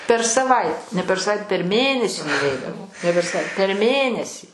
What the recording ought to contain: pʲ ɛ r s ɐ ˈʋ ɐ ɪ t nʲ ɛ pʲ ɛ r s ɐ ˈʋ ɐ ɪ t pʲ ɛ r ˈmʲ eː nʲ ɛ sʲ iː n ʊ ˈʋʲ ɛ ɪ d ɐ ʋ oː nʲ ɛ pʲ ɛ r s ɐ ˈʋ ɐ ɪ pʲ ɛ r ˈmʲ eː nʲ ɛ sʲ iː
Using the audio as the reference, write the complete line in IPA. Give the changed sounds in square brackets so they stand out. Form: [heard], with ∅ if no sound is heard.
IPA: pʲ ɛ r s ɐ ˈʋ ɐ ɪ t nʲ ɛ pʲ ɛ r s ɐ ˈʋ ɐ ɪ t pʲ ɛ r ˈmʲ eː nʲ ɛ sʲ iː n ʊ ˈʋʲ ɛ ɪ d ɐ ʋ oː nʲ ɛ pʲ ɛ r s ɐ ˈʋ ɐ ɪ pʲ ɛ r ˈmʲ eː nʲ ɛ sʲ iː